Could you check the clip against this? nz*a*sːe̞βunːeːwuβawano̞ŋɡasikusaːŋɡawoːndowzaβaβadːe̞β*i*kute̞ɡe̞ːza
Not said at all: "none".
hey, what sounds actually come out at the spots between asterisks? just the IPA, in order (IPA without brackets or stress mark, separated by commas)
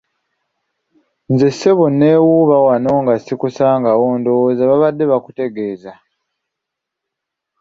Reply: e, a